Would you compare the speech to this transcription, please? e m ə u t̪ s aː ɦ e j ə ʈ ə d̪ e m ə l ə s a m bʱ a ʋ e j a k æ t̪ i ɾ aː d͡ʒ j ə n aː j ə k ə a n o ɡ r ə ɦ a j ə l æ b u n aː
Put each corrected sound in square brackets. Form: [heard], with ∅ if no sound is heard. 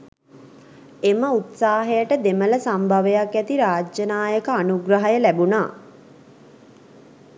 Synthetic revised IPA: e m ə u t̪ s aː ɦ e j ə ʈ ə d̪ e m ə l ə s a m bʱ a ʋ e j a k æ t̪ i ɾ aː d͡ʒ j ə n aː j ə k ə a n [u] ɡ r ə ɦ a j ə l æ b u n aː